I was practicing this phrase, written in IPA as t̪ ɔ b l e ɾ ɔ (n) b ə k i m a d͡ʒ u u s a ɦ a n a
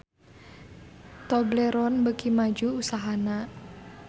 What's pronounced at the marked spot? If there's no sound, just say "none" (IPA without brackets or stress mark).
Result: n